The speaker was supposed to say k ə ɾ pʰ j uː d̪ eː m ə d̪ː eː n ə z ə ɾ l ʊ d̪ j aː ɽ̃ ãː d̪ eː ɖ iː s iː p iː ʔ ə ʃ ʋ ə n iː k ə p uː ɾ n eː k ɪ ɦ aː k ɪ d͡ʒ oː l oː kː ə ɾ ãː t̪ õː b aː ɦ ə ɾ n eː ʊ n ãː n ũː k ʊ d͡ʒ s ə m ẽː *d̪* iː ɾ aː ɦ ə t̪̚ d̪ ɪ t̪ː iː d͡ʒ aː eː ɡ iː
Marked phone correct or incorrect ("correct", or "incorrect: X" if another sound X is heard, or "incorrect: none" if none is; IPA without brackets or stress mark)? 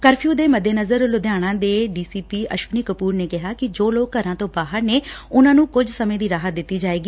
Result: correct